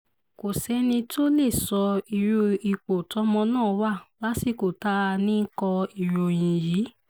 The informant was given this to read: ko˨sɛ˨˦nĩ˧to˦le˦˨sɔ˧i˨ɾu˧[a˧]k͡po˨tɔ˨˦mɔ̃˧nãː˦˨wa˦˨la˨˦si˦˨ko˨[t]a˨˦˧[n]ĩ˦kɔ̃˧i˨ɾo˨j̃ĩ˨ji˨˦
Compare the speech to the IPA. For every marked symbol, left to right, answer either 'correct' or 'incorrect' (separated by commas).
incorrect, correct, correct